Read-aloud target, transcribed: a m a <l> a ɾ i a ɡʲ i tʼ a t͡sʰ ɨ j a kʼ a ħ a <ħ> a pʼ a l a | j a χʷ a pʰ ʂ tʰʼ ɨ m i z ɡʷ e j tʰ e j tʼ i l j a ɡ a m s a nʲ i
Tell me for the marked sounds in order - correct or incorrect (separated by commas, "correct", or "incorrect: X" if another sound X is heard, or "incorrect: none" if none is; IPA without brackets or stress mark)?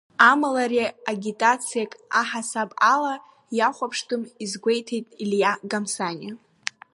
correct, incorrect: s